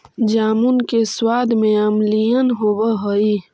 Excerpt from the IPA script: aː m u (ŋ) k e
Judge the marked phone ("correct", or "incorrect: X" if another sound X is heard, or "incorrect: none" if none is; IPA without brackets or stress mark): incorrect: n